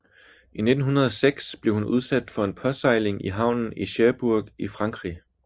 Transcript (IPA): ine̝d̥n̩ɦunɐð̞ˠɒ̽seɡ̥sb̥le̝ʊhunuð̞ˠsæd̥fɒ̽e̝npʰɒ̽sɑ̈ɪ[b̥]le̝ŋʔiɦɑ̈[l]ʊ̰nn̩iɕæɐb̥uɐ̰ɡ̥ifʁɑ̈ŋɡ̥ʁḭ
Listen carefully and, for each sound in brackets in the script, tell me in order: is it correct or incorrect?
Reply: incorrect, incorrect

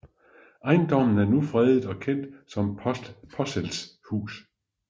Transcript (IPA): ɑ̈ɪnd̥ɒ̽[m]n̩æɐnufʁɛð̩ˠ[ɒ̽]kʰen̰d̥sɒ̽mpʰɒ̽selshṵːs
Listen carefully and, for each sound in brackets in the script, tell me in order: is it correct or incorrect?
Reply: correct, correct

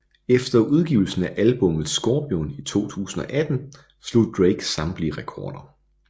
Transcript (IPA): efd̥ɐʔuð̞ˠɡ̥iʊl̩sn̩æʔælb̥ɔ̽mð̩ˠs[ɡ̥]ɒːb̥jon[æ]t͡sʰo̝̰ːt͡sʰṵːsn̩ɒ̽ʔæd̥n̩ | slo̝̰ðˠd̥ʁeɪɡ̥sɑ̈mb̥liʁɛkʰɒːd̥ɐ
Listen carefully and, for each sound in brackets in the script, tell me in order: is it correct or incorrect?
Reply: correct, incorrect

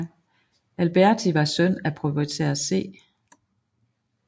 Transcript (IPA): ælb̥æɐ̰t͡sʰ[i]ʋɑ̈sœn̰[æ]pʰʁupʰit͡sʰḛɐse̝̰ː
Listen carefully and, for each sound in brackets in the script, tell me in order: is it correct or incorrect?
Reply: correct, correct

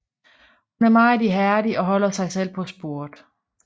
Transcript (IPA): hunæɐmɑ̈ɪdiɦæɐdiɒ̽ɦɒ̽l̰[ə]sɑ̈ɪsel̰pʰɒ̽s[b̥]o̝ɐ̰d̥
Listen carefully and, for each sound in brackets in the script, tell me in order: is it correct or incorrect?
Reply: incorrect, correct

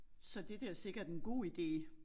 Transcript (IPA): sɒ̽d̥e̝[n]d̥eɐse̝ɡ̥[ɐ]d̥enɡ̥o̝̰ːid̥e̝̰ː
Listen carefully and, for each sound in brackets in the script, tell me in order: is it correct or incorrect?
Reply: incorrect, correct

